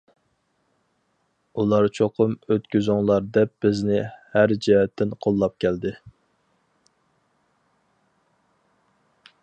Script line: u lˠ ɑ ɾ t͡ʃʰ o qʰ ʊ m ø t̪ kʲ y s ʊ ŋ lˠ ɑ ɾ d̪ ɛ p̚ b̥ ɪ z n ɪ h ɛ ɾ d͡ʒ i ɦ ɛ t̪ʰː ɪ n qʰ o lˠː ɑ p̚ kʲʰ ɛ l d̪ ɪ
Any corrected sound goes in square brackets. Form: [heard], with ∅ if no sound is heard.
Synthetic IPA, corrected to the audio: u lˠ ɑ ɾ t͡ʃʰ o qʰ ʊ m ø t̪ kʲ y [z] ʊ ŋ lˠ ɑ ɾ d̪ ɛ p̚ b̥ ɪ z n ɪ h [æ] ɾ d͡ʒ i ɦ ɛ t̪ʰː ɪ n qʰ o lˠː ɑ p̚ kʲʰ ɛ l d̪ ɪ